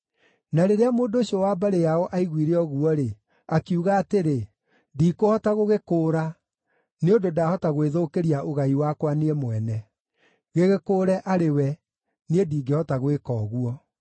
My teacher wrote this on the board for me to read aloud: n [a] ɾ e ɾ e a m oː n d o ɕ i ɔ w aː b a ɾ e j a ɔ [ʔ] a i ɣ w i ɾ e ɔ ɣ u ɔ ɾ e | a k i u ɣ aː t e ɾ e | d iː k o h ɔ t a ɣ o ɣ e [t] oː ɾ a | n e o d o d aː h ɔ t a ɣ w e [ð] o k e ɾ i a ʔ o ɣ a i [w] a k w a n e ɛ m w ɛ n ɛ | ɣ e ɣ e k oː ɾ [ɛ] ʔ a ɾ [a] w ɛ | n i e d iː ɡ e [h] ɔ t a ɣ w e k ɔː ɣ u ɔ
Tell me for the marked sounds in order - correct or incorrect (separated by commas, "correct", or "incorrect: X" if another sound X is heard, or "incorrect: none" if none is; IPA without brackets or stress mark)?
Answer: correct, correct, incorrect: k, correct, correct, correct, incorrect: e, correct